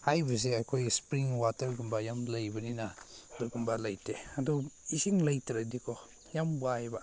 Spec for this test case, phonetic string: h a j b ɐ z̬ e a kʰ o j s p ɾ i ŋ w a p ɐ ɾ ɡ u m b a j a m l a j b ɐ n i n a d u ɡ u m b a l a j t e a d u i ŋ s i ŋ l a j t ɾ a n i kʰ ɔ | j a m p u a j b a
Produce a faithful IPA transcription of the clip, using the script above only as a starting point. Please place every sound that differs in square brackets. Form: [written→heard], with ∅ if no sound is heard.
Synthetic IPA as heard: h a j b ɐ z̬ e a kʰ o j s p ɾ i ŋ w a [p→t] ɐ ɾ ɡ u m b a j a m l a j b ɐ n i n a d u ɡ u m b a l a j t e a d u i [ŋ→∅] s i ŋ l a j t ɾ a [n→d] i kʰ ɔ | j a m [p→b] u a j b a